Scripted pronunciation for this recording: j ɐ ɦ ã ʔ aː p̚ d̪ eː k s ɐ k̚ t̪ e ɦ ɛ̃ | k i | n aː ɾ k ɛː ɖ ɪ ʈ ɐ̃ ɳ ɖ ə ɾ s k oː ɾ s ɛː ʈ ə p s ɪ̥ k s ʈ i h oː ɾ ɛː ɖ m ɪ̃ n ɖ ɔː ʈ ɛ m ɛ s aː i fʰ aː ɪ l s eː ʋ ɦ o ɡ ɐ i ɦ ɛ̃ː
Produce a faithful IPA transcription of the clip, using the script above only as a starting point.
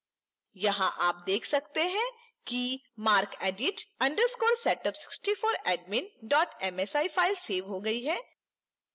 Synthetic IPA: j ɐ ɦ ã ʔ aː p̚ d̪ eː kʰ s ɐ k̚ t̪ e ɦ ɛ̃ | k i | m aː ɾ k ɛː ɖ ɪ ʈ ɐ̃ ɳ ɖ ə ɾ s k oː ɾ s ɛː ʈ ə p s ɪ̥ k s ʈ i f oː ɾ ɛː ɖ m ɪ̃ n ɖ ɔː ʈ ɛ m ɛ s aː i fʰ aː ɪ l s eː ʋ ɦ o ɡ ɐ i ɦ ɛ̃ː